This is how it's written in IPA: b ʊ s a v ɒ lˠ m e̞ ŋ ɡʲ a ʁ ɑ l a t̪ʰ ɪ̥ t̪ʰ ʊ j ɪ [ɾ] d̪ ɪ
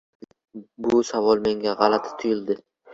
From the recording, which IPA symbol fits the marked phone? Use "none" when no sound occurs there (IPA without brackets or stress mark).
l